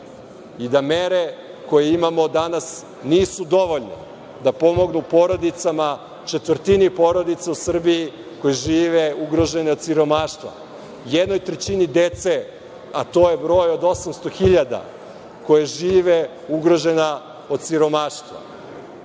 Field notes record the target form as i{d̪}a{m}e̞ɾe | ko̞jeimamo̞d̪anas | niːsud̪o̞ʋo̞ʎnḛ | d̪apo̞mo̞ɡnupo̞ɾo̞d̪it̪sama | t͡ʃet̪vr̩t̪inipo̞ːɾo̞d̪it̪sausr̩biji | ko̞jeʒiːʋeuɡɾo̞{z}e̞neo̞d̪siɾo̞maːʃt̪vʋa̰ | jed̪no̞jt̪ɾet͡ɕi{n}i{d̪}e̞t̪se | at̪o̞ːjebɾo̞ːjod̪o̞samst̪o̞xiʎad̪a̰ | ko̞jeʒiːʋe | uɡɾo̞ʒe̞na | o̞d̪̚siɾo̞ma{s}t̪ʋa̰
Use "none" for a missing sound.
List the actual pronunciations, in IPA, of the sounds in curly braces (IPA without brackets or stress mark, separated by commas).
d̪, m, ʒ, n, d̪, ʃ